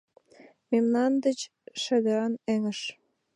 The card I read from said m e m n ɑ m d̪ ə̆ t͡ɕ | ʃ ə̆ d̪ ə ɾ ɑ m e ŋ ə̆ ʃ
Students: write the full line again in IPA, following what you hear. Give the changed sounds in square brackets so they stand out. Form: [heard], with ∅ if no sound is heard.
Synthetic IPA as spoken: m e m n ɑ [n] d̪ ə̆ t͡ɕ | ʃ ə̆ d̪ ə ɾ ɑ [n] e ŋ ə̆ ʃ